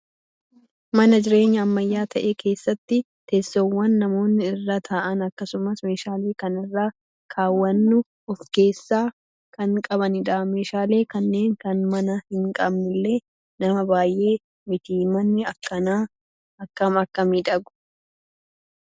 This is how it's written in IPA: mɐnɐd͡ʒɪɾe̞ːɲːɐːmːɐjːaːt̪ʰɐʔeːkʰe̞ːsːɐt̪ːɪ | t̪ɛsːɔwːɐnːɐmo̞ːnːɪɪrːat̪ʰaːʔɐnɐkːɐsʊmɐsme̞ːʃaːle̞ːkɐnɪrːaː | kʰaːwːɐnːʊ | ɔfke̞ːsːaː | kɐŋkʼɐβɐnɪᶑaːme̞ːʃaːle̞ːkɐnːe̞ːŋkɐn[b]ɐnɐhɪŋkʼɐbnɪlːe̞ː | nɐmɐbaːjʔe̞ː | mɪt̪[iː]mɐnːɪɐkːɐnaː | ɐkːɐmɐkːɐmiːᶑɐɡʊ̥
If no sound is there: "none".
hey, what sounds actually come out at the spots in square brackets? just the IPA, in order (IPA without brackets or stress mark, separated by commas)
m, iː